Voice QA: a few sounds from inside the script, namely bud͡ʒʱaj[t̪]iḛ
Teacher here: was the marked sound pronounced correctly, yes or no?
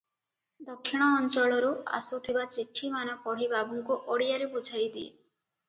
no